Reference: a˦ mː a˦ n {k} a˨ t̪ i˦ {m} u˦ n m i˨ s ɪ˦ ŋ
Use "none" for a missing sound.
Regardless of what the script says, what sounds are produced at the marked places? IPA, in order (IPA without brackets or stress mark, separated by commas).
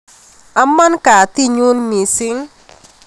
k, ɲ